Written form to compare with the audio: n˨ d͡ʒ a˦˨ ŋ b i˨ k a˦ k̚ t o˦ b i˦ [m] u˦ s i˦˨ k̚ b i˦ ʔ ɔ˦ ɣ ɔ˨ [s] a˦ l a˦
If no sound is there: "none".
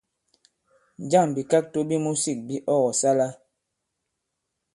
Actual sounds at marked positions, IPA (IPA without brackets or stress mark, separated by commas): m, s